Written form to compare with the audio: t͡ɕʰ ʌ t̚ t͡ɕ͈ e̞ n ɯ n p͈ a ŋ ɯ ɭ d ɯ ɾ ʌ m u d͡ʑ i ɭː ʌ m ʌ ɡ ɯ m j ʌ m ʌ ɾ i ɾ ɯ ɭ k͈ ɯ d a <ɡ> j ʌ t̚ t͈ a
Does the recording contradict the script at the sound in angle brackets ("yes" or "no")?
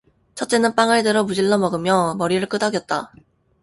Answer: no